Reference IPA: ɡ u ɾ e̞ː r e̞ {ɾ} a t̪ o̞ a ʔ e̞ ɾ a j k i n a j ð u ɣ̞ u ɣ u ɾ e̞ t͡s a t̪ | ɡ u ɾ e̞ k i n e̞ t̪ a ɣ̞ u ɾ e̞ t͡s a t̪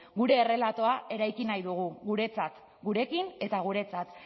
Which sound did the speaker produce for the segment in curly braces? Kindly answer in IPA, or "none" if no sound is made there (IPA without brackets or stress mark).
l